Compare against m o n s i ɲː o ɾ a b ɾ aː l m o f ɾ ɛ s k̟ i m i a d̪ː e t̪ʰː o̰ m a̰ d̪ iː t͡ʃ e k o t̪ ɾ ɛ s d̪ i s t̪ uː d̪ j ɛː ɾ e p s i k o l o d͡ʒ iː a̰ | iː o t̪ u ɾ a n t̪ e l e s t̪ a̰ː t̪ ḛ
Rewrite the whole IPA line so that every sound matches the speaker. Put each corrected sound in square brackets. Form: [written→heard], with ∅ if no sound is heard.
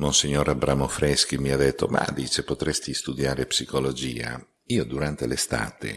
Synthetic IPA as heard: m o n s i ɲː o ɾ a b ɾ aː [l→∅] m o f ɾ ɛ s k̟ i m i a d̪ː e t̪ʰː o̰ m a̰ d̪ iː t͡ʃ e [k→p] o t̪ ɾ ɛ s [d̪→t̪] i s t̪ [uː→u] d̪ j [ɛː→aː] ɾ e p s i k o l o d͡ʒ iː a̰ | iː o [t̪→d̪] u ɾ a n t̪ e l e s t̪ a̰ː t̪ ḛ